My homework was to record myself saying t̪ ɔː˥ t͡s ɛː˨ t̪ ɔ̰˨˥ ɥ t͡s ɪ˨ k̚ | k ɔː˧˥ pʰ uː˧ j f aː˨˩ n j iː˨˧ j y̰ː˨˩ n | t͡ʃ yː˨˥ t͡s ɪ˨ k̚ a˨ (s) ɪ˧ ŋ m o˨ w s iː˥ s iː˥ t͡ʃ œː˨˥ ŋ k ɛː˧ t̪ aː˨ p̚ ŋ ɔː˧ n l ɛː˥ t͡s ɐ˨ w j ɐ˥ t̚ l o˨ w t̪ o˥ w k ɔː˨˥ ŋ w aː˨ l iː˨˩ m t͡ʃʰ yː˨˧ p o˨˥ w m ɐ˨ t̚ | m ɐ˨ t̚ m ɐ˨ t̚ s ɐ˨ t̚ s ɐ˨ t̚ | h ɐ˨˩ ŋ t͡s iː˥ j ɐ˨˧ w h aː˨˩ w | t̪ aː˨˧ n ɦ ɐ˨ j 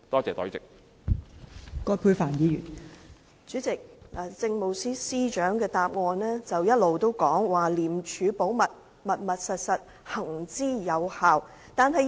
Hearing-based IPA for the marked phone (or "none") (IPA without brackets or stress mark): t͡s